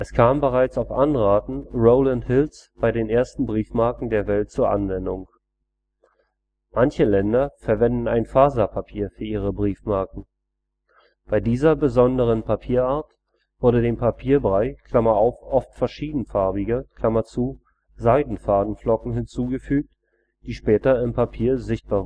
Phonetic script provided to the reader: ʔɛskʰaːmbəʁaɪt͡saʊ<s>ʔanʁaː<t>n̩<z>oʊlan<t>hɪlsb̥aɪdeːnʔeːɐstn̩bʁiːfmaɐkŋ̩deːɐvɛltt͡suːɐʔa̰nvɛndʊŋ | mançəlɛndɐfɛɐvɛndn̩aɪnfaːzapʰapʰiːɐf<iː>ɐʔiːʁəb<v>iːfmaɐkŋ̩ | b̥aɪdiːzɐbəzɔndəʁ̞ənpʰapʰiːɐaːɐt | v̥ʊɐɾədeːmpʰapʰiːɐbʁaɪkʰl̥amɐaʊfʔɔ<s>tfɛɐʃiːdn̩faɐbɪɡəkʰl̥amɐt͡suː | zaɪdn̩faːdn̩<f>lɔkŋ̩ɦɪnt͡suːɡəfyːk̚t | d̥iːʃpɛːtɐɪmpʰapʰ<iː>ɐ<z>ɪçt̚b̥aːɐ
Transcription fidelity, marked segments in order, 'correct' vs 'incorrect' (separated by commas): incorrect, correct, incorrect, correct, incorrect, incorrect, incorrect, correct, correct, correct